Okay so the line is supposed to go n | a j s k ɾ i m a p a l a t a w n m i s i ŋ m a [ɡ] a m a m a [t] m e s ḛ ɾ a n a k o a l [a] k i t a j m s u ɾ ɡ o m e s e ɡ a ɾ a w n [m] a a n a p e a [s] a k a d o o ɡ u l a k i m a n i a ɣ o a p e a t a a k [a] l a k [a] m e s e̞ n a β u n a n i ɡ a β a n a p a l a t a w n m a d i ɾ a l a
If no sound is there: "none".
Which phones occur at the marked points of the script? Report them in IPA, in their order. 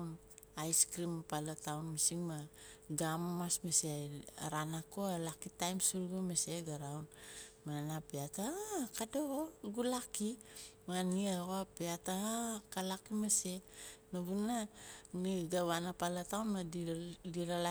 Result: ɡ, s, a, m, t, a, i

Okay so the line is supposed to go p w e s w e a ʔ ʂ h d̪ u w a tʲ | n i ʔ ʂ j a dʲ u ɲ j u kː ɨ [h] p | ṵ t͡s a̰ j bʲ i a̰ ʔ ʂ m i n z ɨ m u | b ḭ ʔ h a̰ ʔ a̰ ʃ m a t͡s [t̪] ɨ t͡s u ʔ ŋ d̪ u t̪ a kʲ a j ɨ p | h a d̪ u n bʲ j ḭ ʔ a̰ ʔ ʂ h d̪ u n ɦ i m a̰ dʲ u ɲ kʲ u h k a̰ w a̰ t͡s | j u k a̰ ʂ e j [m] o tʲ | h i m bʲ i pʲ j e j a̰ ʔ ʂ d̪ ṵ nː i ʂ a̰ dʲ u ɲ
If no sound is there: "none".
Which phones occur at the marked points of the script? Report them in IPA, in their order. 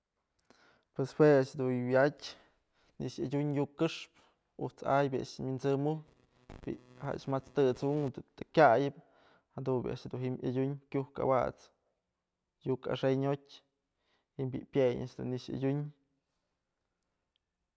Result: ʂ, t̪, ɲ

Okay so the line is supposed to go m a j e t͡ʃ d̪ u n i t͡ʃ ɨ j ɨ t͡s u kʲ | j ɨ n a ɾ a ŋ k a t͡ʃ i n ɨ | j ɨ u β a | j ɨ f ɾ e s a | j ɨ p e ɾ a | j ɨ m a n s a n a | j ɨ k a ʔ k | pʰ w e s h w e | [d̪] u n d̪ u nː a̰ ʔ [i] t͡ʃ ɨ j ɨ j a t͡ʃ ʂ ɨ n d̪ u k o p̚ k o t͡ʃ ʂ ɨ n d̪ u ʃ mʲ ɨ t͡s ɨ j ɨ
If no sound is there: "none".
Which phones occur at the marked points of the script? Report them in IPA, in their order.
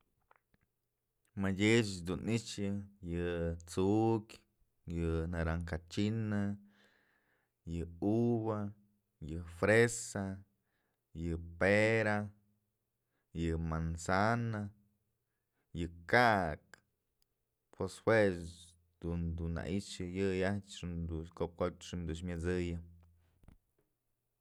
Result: d̪, i

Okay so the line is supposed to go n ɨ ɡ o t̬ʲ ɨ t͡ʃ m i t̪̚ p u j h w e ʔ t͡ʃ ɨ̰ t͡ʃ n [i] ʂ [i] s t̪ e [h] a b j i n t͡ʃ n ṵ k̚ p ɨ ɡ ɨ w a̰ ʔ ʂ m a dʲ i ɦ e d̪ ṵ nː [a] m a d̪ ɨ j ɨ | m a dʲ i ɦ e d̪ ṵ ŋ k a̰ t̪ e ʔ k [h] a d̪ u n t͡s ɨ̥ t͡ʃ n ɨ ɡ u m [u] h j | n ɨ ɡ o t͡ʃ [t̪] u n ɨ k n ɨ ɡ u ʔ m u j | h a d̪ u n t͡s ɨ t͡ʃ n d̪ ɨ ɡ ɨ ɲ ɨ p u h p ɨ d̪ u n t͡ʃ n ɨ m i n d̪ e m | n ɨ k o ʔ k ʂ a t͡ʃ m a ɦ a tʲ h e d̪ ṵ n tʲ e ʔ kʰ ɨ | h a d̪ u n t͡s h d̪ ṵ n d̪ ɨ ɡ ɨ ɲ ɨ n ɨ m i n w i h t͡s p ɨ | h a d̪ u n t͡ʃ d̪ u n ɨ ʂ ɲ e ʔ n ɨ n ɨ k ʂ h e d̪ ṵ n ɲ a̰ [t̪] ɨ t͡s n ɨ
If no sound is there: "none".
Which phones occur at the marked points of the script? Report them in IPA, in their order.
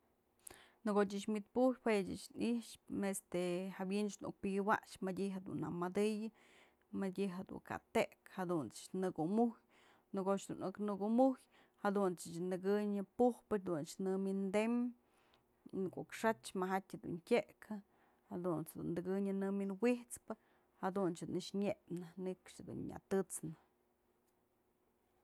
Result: i, e, h, a, h, u, d̪, t̪

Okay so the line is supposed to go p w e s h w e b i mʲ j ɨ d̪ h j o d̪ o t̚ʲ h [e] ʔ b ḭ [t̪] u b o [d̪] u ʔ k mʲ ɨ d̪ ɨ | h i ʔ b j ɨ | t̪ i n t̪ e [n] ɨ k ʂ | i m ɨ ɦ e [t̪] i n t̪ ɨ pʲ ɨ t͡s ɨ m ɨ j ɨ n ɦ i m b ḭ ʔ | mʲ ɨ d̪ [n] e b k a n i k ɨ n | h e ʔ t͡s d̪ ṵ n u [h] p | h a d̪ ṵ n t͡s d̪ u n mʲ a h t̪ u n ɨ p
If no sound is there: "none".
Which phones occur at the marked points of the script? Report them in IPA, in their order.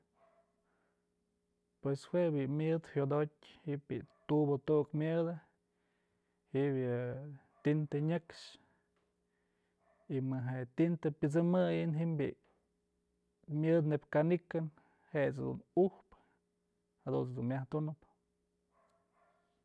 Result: i, t̪, t̪, ɲ, t̪, n, h

